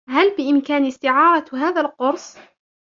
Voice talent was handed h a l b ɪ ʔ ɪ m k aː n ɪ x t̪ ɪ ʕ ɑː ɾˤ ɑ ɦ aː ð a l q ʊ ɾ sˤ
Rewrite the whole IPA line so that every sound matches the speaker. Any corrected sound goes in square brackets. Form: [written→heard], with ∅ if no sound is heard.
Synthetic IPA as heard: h a l b ɪ ʔ ɪ m k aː n ɪ [x→s] t̪ ɪ ʕ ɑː ɾˤ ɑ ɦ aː ð a l q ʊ ɾ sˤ